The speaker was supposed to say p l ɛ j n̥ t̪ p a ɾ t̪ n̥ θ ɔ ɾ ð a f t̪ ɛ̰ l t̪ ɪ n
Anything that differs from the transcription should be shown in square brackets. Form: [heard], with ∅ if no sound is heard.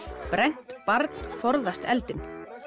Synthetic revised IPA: p [ɾ] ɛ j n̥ t̪ p a ɾ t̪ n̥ [f] ɔ ɾ ð a [s] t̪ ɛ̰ l t̪ ɪ n